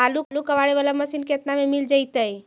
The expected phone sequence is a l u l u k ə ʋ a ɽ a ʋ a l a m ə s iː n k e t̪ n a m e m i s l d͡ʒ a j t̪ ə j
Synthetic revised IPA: a l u l u k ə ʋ a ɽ e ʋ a l a m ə s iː n k e t̪ n a m e m i l d͡ʒ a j t̪ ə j